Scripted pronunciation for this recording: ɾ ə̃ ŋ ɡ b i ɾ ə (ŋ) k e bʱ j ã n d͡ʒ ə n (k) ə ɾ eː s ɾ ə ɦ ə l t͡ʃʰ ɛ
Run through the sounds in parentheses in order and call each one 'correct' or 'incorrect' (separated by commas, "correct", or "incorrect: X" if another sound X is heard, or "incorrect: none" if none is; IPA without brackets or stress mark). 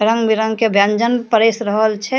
correct, incorrect: p